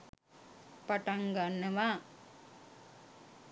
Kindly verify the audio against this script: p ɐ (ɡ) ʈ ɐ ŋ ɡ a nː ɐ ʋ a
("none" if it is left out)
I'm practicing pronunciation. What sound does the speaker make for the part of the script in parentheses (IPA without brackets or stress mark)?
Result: none